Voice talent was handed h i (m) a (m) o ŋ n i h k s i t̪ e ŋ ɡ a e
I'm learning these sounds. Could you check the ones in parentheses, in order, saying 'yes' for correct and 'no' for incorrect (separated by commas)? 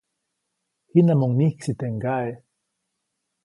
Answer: no, yes